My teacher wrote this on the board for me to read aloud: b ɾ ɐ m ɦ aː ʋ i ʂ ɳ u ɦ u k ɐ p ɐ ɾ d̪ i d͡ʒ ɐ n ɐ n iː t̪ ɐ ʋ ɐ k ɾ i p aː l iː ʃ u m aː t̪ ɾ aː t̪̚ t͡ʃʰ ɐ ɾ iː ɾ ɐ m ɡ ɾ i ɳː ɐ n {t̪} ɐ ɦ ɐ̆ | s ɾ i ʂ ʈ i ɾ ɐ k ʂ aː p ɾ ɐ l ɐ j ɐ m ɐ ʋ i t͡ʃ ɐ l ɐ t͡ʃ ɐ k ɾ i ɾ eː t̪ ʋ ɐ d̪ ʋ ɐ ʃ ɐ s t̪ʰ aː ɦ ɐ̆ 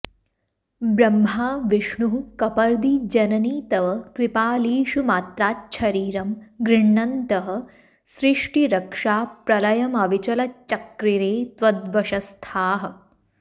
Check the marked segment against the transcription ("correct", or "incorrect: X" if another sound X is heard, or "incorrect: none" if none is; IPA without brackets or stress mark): correct